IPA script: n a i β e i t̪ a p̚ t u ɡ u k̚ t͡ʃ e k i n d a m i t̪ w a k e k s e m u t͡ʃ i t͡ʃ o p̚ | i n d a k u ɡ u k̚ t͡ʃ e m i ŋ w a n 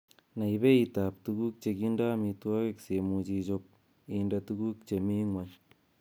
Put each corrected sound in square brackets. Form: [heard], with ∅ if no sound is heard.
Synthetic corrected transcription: n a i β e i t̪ a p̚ t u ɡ u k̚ t͡ʃ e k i n d a m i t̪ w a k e k s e m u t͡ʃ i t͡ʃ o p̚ | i n d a [t] u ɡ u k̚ t͡ʃ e m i ŋ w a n